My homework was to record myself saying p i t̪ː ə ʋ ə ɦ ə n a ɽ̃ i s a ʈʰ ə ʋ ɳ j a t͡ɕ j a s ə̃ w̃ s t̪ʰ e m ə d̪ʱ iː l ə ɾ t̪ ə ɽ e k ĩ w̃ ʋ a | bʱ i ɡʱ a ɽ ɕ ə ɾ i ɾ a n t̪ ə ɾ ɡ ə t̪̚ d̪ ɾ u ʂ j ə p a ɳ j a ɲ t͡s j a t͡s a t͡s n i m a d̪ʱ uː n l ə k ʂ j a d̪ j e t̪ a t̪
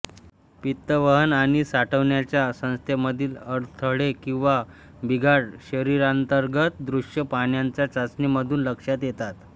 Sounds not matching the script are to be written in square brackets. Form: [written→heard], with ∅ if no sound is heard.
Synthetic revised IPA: p i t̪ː ə ʋ ə ɦ ə n a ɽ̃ i s a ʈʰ ə ʋ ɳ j a t͡ɕ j a s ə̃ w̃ s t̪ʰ e m ə d̪ʱ iː l ə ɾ [t̪→t̪ʰ] ə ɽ e k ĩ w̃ ʋ a | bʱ i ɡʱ a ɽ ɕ ə ɾ i ɾ a n t̪ ə ɾ ɡ ə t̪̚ d̪ ɾ u ʂ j ə p a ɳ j a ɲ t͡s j a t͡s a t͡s n i m [a→ə] d̪ʱ uː n l ə k ʂ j a [d̪→t̪] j e t̪ a t̪